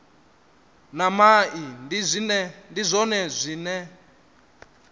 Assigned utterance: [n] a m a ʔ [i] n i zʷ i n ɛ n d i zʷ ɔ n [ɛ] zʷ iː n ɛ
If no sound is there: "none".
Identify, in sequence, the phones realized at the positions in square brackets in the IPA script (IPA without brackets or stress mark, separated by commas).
n, i, ɛ